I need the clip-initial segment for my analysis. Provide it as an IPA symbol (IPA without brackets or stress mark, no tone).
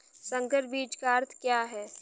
s